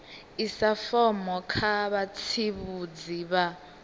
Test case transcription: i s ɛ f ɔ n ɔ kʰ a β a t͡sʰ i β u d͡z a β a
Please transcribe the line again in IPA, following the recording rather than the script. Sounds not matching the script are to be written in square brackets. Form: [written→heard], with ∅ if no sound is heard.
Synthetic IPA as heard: i s [ɛ→a] f ɔ [n→m] ɔ kʰ a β a t͡sʰ i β u d͡z [a→i] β a

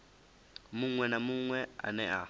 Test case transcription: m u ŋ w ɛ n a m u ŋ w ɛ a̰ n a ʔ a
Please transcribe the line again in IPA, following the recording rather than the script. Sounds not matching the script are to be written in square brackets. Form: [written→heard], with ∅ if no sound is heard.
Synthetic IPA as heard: m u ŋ w ɛ n a m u ŋ w ɛ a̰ n [a→ɛ] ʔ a

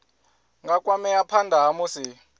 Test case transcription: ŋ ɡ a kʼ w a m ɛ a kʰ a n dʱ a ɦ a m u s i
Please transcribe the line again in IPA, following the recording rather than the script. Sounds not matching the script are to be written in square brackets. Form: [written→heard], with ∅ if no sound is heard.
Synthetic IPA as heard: ŋ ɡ a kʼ w a m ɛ a [kʰ→pʰ] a n dʱ a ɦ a m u s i

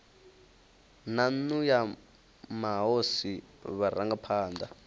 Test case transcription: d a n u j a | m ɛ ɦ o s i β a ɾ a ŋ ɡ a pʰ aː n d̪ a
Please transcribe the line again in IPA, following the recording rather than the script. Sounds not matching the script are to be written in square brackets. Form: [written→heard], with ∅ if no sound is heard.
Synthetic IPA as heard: [d→n] a n u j a | m [ɛ→a] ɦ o s i β a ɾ a ŋ ɡ a pʰ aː n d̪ a

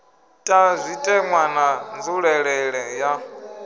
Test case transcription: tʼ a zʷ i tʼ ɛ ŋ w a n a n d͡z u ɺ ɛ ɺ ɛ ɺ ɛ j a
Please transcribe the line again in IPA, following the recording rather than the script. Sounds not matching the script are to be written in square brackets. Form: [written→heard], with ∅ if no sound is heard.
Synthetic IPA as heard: tʼ a zʷ i tʼ ɛ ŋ w a n a n d͡z u ɺ ɛ ɺ ɛ ɺ ɛ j a

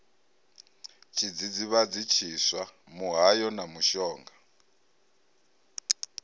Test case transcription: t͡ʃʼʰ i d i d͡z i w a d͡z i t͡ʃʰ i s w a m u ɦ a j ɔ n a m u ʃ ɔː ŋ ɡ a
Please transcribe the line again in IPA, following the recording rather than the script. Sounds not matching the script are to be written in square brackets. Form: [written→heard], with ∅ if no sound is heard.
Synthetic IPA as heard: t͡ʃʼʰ i [d→d͡z] i d͡z i [w→β] a d͡z i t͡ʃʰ i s w a m u ɦ a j ɔ n a m u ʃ ɔː ŋ ɡ a

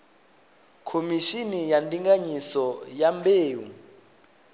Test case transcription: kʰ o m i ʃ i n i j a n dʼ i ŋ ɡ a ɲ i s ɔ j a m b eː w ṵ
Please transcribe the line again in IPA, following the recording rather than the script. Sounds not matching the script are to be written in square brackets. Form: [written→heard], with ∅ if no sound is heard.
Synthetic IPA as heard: kʰ o m i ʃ i n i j a n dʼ i ŋ ɡ a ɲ i s ɔ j a m b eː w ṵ

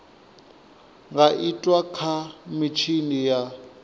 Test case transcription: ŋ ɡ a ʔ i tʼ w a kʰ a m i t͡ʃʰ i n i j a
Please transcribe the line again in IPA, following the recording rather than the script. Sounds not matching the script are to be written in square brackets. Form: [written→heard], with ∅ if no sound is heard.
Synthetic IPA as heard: ŋ ɡ a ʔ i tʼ w a kʰ a m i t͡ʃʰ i n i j a

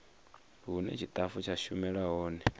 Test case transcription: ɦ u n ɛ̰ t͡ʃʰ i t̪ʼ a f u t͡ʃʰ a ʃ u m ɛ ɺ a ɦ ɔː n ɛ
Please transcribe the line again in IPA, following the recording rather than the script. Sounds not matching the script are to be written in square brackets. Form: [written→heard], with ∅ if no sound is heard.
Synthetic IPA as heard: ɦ u n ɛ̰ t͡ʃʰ i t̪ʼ a f u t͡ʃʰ a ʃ u m ɛ ɺ a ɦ ɔː n ɛ

